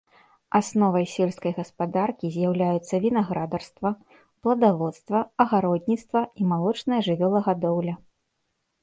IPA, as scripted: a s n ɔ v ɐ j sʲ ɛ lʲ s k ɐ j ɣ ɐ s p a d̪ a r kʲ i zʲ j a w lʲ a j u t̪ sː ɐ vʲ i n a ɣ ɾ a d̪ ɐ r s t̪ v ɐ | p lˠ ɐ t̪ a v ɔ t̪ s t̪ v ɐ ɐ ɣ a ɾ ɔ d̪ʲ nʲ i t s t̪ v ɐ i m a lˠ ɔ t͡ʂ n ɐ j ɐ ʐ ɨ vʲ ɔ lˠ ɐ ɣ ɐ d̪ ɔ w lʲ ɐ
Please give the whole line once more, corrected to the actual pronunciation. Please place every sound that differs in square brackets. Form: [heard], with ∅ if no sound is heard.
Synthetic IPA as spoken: a s n ɔ v ɐ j sʲ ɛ lʲ s k ɐ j ɣ ɐ s p a d̪ a r kʲ i zʲ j a w lʲ a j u t̪ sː ɐ vʲ i n a ɣ ɾ a d̪ ɐ r s t̪ v ɐ | p lˠ ɐ [d̪] a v ɔ t̪ s t̪ v ɐ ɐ ɣ a ɾ ɔ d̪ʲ nʲ i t s t̪ v ɐ i m a lˠ ɔ t͡ʂ n ɐ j ɐ ʐ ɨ vʲ ɔ lˠ ɐ ɣ [a] d̪ ɔ w lʲ ɐ